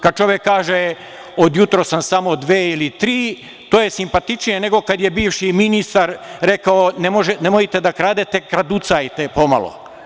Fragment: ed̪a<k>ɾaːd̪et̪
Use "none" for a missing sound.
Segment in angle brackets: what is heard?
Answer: k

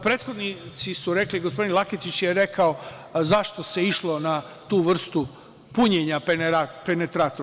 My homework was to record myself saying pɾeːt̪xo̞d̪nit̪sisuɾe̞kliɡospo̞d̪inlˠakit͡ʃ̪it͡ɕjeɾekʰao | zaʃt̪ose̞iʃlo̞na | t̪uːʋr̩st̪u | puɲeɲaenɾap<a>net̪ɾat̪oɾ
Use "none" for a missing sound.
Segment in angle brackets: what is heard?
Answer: e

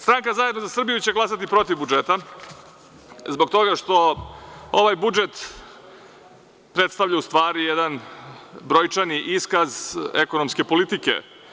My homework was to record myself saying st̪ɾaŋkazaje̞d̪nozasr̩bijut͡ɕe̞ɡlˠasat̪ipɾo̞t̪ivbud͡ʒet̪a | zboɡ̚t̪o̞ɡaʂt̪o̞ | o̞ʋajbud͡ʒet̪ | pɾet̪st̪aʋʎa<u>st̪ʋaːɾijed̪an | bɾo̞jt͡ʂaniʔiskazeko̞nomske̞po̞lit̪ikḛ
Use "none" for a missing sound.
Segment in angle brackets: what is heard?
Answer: u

